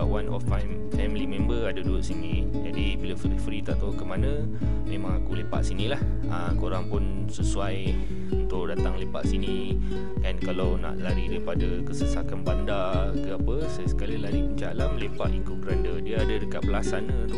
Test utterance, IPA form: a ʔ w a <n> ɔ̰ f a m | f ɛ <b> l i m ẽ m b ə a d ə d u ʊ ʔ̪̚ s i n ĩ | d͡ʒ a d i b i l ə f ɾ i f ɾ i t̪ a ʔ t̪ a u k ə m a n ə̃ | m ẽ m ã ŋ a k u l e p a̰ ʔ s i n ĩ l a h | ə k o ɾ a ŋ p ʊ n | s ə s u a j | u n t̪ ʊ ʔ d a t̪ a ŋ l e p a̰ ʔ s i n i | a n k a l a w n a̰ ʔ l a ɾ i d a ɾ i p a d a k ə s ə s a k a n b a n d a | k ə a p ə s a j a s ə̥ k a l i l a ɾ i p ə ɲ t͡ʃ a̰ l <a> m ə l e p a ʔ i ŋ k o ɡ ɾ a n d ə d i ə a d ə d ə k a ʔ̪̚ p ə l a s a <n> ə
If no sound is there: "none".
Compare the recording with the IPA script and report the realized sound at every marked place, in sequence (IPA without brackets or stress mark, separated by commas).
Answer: n, m, a, n